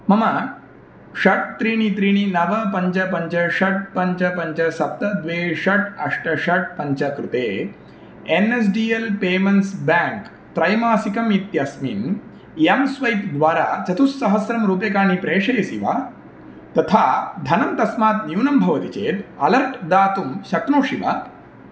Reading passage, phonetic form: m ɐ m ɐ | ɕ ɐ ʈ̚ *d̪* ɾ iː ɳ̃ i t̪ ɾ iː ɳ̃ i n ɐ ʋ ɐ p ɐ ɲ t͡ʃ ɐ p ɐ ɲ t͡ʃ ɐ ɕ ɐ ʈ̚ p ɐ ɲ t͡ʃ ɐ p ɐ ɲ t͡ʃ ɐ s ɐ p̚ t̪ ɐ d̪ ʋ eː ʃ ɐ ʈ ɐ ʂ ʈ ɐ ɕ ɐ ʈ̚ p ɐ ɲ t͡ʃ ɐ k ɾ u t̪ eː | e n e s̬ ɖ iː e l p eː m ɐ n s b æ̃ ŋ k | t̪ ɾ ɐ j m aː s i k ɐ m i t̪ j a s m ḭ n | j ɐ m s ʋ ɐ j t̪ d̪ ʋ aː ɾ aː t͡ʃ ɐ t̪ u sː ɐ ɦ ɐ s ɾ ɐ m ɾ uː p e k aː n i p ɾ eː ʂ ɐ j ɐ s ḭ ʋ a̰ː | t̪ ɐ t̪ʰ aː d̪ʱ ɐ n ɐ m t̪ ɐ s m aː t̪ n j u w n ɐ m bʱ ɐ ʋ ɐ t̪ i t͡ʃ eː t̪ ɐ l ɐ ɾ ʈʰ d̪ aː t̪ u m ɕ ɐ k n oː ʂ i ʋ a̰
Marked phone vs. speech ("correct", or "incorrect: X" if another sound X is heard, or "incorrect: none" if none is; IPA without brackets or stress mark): incorrect: t̪